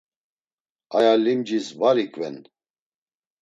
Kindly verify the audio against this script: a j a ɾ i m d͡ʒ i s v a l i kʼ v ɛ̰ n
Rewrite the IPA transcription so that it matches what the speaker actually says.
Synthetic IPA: a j a l i m d͡ʒ i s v a ɾ i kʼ v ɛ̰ n

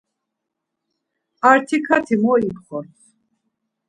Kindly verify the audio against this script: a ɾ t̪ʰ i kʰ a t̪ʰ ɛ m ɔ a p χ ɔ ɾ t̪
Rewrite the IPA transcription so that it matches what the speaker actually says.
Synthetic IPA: a ɾ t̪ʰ i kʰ a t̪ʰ i m ɔ i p χ ɔ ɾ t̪

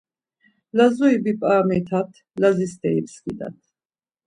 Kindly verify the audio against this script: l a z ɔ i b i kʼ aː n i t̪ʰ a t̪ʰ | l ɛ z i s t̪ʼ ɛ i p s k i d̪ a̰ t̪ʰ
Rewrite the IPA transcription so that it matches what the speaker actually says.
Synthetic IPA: l a z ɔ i b i pʼ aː m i t̪ʰ a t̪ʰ | l a z i s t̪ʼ ɛ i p s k i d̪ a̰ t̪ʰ

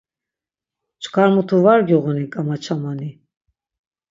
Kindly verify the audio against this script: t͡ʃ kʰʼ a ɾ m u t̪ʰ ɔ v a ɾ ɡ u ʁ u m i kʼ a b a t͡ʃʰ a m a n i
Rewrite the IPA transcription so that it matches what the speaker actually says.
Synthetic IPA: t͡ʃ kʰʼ a ɾ m u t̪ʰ u v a ɾ ɡ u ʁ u n i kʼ a m a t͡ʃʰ a m a n i

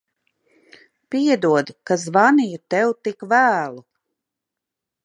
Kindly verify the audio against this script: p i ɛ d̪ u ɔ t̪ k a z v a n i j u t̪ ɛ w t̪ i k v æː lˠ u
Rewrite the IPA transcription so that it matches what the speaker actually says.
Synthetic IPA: p i ɛ d̪ u ɔ d̪ k a z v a n i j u t̪ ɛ w t̪ i k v æː lˠ u

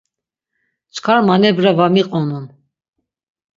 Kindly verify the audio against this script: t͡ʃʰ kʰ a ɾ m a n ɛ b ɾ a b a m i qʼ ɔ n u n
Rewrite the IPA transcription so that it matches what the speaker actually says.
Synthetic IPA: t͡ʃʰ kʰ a ɾ m a n ɛ b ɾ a v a m i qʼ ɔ n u n

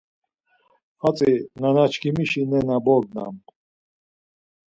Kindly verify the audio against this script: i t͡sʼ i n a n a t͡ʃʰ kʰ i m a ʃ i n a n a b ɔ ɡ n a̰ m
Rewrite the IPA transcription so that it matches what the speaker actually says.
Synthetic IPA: a t͡sʼ i n a n a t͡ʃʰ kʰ i m i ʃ i n ɛ n a b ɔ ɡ n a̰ m

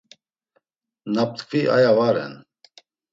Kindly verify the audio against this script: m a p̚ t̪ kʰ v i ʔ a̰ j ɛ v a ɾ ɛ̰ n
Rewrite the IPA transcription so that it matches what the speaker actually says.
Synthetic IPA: n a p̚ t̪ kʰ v i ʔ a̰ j a v a ɾ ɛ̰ n

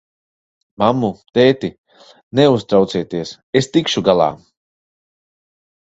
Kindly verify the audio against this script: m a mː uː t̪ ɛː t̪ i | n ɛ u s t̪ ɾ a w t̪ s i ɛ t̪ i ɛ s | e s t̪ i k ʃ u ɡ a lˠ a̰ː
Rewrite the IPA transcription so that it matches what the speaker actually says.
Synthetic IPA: m a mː u t̪ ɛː t̪ i | n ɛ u s t̪ ɾ a w t̪ s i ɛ t̪ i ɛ s | e s t̪ i k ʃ u ɡ a lˠ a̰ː

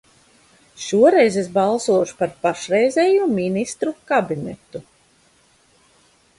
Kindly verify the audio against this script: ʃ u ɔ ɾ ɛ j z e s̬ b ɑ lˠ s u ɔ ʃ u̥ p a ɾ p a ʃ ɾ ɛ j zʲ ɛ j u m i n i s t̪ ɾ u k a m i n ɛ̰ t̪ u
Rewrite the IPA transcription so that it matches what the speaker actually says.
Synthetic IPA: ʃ u ɔ ɾ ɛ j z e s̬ b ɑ lˠ s u ɔ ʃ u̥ p a ɾ p a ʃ ɾ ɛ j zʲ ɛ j u m i n i s t̪ ɾ u k a b i n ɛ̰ t̪ u

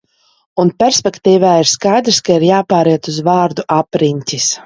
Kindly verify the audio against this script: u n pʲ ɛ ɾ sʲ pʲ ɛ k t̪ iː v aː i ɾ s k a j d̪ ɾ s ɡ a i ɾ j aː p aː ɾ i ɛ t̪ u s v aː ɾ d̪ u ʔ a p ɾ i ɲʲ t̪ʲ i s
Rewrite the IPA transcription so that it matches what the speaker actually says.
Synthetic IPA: u n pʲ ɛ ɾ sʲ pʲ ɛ k t̪ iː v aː i ɾ s k a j d̪ ɾ s k a i ɾ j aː p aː ɾ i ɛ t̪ u z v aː ɾ d̪ u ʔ a p ɾ i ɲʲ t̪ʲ i s

